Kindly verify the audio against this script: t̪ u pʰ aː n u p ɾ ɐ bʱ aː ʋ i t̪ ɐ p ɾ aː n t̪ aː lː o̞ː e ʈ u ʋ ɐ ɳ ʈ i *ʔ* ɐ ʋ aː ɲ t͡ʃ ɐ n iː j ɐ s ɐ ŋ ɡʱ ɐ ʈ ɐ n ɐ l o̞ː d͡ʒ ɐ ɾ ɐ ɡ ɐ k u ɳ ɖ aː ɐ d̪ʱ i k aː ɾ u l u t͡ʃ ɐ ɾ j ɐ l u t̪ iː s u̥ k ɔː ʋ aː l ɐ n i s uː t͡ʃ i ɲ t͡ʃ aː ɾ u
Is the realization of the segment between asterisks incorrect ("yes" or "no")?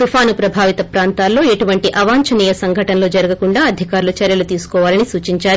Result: no